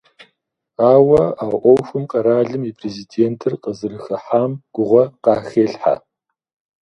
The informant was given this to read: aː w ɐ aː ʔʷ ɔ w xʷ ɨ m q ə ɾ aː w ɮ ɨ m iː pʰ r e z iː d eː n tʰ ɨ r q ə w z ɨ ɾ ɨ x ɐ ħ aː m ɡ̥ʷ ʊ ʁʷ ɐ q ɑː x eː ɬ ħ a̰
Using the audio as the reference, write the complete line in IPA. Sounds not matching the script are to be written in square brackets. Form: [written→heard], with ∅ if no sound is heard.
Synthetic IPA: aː w ɐ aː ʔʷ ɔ w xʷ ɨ m q [ə→ɐ] ɾ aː [w→∅] ɮ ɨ m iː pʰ r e z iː d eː n tʰ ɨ r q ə [w→∅] z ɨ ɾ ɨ x ɐ ħ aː m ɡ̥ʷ ʊ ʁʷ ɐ q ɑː x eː ɬ ħ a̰